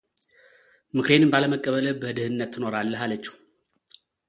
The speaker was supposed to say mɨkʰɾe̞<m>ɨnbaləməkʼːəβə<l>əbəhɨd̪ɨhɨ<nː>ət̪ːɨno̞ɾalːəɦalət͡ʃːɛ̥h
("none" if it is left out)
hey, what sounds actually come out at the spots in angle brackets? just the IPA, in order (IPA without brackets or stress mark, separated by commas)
n, l, nː